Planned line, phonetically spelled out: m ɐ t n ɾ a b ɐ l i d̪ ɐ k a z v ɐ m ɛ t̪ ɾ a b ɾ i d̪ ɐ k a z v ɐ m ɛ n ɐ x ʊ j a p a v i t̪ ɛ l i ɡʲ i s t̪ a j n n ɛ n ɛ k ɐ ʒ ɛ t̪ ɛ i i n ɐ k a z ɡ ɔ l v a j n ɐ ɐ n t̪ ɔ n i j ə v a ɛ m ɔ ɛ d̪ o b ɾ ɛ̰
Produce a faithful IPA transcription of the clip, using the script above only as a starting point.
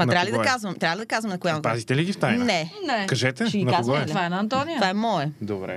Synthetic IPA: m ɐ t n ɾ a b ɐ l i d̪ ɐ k a z v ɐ m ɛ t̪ ɾ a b l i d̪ ɐ k a z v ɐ m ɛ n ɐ k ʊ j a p a z i t̪ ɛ l i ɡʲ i f t̪ a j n n ɛ n ɛ k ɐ ʒ ɛ t̪ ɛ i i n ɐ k a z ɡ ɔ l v a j n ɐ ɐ n t̪ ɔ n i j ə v a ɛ m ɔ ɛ d̪ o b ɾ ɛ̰